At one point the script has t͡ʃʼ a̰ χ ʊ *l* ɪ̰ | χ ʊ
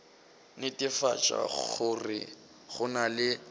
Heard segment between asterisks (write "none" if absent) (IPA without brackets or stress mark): r